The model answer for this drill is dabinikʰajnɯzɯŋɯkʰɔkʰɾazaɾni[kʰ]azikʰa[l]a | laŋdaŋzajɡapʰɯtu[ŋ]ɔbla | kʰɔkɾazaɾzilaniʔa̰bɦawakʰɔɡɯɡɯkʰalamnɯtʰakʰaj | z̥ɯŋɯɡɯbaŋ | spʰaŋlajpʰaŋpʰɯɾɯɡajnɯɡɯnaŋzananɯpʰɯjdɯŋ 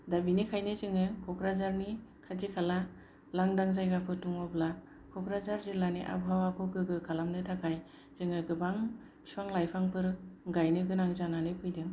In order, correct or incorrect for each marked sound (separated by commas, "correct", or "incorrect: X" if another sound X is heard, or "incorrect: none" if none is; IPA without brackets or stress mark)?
correct, correct, correct